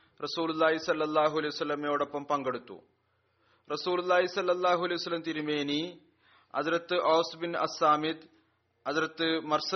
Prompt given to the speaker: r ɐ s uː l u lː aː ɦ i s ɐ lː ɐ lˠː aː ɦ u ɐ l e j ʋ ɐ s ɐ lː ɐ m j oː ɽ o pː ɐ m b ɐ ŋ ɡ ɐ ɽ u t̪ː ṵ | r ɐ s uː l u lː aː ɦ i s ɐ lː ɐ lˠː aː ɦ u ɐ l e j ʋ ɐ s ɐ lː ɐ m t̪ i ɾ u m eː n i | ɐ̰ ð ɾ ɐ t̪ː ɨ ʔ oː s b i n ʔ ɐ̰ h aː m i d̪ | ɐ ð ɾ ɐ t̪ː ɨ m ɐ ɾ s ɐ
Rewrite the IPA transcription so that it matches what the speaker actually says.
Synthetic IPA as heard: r ɐ s uː l u lː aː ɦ i s ɐ lː ɐ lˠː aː ɦ u ɐ l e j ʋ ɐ s ɐ lː ɐ m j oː ɽ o pː ɐ m p ɐ ŋ ɡ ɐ ɽ u t̪ː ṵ | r ɐ s uː l u lː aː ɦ i s ɐ lː ɐ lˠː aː ɦ u ɐ l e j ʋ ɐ s ɐ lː ɐ m t̪ i ɾ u m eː n i | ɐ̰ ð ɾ ɐ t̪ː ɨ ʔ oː s b i n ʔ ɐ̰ s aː m i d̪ | ɐ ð ɾ ɐ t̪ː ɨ m ɐ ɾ s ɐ